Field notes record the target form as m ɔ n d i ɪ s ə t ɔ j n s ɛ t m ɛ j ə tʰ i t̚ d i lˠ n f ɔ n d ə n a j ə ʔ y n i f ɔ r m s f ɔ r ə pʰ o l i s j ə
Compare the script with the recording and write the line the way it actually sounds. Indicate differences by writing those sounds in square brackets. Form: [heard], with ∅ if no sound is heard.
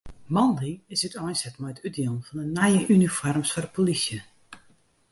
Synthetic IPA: m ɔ n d i ɪ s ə t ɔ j n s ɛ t m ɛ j ə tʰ [y] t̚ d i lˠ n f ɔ n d ə n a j ə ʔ y n i f ɔ r m s f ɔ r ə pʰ o l i s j ə